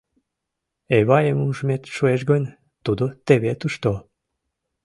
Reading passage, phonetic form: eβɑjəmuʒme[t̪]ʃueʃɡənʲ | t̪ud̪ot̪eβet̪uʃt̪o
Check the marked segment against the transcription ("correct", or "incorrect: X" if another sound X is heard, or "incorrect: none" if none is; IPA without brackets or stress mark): correct